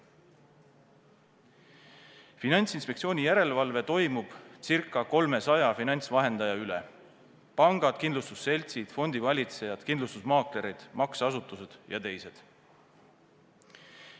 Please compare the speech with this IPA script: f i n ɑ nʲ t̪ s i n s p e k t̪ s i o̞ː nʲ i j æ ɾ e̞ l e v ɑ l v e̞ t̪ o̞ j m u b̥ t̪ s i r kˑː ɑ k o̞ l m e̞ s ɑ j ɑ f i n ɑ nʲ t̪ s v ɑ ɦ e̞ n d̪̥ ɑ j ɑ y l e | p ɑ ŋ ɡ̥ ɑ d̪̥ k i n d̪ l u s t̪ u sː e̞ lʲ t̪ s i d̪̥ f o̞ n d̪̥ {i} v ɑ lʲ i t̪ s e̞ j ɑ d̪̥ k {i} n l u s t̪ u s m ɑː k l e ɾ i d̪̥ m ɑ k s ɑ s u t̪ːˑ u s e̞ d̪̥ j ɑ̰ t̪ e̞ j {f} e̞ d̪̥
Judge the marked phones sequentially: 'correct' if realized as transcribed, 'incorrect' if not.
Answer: correct, correct, incorrect

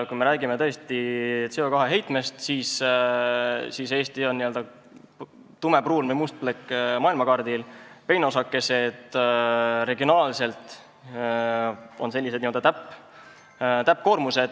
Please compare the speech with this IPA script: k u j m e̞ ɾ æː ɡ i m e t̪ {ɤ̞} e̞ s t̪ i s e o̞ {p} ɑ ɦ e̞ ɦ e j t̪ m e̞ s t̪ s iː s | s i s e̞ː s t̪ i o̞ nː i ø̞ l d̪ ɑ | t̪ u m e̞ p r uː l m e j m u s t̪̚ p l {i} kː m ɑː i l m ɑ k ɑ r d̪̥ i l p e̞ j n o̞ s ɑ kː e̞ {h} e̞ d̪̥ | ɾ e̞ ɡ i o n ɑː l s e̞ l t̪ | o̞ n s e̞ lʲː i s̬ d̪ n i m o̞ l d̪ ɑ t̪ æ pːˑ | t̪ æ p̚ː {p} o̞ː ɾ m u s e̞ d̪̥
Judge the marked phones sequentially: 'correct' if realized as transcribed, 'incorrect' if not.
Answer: correct, incorrect, incorrect, incorrect, incorrect

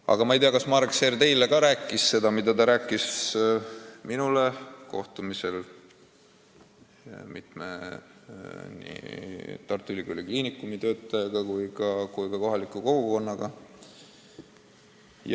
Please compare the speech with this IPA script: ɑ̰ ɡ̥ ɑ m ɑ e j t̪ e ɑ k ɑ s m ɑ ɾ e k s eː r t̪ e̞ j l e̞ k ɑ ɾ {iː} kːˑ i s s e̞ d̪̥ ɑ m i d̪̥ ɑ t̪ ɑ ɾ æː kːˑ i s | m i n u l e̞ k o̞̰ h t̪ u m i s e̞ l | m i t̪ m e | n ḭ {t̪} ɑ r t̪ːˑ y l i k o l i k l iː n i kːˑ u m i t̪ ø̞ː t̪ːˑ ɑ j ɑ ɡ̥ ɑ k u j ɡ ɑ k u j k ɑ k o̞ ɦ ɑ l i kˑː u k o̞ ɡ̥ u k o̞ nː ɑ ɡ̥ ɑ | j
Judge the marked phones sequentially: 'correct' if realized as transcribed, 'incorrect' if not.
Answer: incorrect, correct

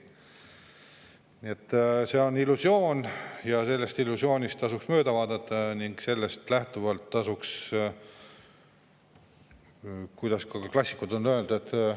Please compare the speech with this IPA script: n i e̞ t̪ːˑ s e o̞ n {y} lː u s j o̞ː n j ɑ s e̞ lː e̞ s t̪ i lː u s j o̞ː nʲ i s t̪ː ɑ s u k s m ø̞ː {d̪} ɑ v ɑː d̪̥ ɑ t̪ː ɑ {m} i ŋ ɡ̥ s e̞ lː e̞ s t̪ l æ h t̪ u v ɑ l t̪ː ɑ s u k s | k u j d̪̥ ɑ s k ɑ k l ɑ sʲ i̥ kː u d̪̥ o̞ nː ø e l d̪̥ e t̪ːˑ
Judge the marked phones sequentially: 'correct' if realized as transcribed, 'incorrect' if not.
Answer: incorrect, correct, incorrect

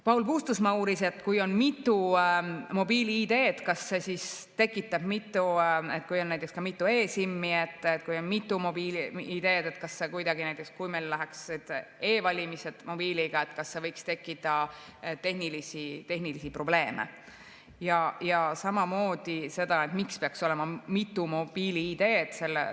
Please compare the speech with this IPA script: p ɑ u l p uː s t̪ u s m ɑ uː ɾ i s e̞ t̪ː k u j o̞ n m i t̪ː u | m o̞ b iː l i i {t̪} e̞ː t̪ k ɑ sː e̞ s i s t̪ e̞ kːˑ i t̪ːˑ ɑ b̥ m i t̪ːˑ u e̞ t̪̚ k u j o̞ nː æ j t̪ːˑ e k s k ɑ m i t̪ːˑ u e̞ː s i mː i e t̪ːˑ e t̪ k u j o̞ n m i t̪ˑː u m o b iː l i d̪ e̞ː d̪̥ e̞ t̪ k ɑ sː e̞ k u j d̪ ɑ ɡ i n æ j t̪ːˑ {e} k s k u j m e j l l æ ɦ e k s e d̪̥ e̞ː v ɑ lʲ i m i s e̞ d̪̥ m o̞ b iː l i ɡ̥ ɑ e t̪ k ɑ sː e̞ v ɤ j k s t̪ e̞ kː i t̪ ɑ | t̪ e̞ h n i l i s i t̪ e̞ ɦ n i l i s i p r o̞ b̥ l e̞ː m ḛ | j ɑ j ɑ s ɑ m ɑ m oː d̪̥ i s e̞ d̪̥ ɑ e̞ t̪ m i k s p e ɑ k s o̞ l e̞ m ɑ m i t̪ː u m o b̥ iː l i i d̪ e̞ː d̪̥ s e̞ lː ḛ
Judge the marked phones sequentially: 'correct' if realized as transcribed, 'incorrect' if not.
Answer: incorrect, correct

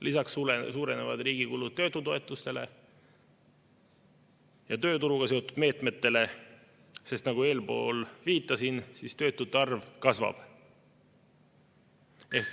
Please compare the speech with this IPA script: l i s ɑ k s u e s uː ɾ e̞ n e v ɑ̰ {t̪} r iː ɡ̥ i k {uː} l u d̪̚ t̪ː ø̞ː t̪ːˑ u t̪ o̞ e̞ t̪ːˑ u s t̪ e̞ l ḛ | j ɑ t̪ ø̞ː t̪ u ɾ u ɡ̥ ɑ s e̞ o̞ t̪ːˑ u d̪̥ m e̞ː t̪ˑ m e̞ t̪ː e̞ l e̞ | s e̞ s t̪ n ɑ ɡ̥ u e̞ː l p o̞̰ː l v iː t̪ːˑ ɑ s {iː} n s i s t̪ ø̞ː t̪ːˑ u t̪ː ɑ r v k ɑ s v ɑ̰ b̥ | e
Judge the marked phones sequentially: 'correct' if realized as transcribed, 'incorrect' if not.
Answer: incorrect, incorrect, incorrect

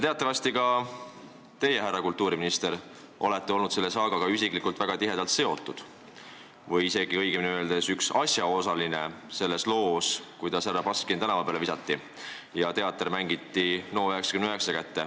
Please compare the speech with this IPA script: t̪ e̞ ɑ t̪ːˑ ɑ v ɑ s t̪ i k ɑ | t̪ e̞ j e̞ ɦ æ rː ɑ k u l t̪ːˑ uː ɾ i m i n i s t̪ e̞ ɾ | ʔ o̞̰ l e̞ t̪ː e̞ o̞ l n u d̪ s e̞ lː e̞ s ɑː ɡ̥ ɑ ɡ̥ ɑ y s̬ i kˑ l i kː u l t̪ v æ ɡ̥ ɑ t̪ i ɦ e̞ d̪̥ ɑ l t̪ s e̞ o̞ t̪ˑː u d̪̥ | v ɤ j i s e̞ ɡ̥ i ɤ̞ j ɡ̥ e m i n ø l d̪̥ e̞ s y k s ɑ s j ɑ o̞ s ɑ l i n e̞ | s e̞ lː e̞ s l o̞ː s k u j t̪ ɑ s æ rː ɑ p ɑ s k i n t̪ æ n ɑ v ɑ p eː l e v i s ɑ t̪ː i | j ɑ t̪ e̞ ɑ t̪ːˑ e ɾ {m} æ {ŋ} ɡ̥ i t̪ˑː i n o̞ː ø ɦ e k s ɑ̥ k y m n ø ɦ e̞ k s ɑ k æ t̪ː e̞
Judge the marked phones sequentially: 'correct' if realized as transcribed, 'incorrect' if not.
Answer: correct, correct

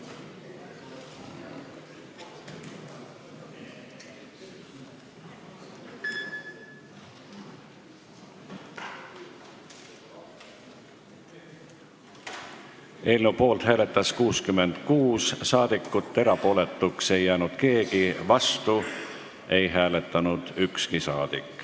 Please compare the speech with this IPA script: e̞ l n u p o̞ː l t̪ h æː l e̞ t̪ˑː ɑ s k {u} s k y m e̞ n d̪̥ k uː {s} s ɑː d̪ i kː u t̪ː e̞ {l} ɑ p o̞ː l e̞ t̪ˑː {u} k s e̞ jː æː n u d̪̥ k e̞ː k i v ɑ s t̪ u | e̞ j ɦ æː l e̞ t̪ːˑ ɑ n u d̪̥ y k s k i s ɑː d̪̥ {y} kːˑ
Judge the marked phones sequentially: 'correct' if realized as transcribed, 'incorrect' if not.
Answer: incorrect, correct, incorrect, correct, incorrect

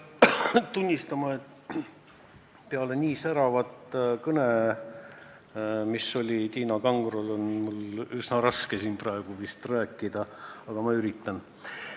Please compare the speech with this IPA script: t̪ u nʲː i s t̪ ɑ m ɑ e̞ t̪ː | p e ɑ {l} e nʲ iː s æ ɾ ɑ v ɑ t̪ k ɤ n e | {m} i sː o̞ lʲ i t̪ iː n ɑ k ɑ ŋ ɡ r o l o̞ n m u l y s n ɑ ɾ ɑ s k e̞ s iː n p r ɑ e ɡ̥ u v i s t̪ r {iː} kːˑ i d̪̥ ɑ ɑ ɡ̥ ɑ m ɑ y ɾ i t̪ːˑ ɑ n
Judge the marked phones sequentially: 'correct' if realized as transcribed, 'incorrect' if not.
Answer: correct, correct, incorrect

